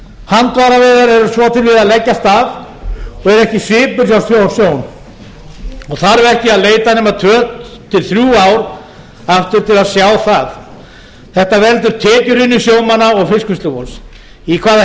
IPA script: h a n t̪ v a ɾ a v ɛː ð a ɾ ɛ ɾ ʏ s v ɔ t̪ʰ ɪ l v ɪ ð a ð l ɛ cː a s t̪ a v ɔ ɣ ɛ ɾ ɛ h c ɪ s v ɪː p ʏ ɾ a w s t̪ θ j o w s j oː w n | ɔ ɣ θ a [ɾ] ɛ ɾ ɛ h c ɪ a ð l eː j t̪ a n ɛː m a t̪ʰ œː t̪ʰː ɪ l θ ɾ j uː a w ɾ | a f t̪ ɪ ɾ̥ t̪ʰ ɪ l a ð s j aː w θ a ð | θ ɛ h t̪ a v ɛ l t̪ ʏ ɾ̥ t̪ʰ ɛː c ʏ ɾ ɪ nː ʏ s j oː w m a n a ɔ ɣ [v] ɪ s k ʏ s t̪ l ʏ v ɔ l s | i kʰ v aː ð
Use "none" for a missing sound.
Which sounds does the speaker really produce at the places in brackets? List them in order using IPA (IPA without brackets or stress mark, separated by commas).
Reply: ɾ, f